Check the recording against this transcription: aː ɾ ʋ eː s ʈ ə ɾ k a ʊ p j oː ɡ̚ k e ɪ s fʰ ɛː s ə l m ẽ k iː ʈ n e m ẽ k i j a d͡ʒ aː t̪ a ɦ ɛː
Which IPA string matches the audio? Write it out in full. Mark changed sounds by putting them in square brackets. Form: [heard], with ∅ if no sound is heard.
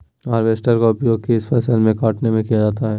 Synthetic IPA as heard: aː ɾ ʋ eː s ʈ ə ɾ k a ʊ p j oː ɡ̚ k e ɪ s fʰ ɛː s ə l m ẽ k [aː] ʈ n e m ẽ k i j a d͡ʒ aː t̪ a ɦ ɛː